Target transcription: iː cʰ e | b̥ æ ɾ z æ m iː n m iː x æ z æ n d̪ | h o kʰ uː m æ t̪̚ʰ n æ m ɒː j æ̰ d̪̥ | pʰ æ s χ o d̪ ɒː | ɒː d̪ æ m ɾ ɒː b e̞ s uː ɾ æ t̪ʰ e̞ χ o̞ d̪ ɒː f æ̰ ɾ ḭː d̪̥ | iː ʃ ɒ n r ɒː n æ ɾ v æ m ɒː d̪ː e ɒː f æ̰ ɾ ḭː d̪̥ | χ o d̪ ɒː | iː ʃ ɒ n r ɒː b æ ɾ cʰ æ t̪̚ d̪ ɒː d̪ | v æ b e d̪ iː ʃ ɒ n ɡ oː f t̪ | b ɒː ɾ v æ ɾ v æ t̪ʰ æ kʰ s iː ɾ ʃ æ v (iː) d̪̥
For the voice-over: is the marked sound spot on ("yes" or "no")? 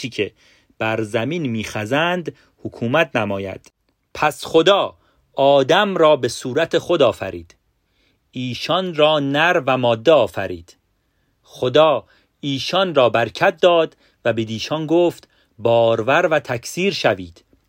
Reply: yes